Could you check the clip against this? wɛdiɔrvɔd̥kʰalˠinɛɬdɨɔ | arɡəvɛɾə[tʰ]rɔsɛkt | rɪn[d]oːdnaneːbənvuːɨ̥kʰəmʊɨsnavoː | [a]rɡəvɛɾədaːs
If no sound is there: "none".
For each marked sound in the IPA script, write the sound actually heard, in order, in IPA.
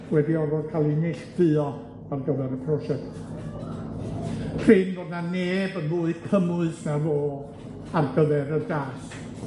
pʰ, b, a

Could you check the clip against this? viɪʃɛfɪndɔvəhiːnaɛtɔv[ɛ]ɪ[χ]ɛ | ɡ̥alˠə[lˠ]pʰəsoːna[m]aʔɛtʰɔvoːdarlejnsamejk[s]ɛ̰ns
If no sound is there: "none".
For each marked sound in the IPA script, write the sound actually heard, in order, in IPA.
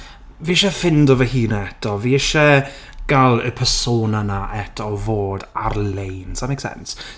i, ʃ, none, n, s

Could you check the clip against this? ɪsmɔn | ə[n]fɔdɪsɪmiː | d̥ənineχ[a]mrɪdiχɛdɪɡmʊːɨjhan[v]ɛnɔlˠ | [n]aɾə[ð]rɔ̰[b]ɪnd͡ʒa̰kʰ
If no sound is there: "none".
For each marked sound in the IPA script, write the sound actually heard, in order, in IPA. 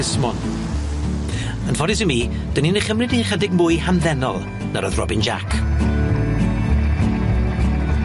n, ə, ð, n, ð, b

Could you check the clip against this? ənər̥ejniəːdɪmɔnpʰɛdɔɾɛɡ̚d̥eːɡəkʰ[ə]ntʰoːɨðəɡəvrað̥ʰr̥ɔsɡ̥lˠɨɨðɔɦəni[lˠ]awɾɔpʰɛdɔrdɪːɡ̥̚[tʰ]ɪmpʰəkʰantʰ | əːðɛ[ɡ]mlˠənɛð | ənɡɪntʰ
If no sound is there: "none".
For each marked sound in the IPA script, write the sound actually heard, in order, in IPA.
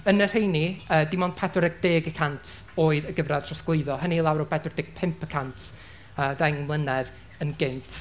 a, lˠ, pʰ, ŋ

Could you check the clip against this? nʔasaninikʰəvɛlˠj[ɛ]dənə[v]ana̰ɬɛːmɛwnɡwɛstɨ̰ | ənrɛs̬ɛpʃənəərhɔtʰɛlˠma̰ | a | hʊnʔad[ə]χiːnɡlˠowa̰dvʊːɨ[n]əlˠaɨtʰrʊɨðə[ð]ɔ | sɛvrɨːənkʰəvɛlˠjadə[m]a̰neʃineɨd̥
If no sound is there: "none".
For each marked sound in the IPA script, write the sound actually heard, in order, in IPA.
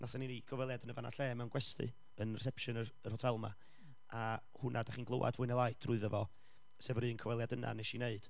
a, v, a, n, v, n

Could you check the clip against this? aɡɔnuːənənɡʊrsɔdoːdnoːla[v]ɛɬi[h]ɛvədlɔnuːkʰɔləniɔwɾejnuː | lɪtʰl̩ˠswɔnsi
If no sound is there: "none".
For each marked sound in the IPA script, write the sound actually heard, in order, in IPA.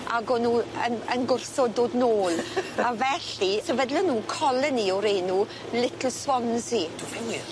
v, s

